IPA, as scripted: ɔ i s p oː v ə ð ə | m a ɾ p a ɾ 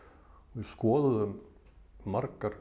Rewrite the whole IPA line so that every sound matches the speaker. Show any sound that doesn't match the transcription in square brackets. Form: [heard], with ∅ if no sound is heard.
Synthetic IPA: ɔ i s [k] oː [ð] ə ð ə | m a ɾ [k] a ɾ